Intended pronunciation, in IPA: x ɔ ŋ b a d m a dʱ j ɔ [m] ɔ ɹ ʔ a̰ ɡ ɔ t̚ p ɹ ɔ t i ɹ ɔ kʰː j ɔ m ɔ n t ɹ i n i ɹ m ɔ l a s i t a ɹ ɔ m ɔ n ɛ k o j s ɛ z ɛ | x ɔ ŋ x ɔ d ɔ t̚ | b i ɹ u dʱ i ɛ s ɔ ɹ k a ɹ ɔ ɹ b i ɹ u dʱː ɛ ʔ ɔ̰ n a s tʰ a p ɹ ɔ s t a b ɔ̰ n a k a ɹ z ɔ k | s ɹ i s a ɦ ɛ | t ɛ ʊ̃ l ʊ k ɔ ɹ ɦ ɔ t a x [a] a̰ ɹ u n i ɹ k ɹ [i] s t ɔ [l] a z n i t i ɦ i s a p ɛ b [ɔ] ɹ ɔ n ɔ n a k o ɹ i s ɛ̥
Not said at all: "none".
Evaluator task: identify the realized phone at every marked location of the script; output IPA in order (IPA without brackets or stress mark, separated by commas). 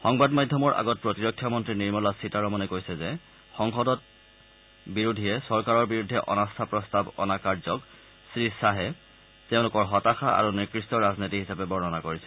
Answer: m, a, i, ɹ, ɔ